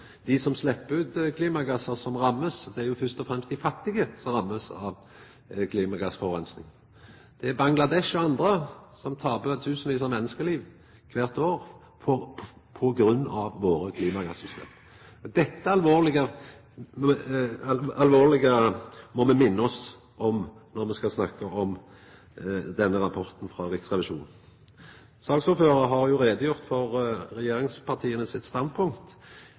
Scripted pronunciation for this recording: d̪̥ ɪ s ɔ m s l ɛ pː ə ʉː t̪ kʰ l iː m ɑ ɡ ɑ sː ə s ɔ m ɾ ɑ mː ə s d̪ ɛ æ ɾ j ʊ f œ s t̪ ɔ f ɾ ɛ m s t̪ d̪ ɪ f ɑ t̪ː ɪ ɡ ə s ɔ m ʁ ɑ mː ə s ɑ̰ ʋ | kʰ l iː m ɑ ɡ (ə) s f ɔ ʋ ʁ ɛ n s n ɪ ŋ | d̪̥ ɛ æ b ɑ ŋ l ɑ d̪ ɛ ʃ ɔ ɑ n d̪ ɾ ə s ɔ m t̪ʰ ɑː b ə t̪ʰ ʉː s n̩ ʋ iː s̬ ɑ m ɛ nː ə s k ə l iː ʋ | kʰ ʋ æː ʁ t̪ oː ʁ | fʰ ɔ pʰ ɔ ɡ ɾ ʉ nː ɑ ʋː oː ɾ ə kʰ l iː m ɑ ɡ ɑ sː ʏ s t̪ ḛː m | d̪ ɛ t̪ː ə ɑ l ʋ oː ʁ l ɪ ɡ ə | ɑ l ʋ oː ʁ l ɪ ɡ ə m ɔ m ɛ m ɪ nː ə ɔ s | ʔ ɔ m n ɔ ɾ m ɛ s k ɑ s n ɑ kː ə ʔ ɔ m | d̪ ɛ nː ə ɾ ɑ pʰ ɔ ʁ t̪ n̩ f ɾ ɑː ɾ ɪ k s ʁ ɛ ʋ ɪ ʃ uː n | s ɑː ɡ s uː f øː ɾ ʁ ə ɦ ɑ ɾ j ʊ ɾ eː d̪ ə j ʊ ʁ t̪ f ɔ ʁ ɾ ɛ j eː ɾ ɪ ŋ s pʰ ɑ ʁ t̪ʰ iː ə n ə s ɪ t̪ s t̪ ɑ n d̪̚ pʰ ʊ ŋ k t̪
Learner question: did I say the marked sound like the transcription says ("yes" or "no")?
no